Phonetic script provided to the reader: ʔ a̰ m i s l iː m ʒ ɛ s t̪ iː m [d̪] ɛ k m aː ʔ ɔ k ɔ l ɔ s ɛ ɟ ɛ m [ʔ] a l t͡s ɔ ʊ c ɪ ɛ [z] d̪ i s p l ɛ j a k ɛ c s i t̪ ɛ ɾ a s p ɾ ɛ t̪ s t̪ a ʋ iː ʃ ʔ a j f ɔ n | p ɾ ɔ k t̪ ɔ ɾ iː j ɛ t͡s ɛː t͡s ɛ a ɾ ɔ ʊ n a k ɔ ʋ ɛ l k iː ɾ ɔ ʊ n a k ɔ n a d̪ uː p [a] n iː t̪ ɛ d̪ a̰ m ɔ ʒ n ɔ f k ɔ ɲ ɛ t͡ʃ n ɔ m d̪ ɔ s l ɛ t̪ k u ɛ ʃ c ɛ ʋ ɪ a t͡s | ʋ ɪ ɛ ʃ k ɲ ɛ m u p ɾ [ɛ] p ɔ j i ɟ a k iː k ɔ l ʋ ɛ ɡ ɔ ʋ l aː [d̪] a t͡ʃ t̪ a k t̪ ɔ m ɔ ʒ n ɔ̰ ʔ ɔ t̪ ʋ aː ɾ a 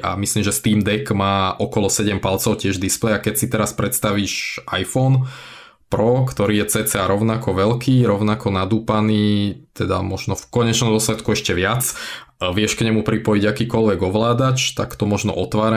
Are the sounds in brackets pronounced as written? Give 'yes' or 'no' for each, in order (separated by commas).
yes, no, no, yes, no, yes